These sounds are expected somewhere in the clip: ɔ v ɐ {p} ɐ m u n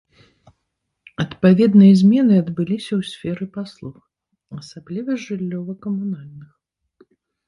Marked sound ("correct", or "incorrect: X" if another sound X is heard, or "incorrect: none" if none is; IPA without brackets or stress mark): incorrect: k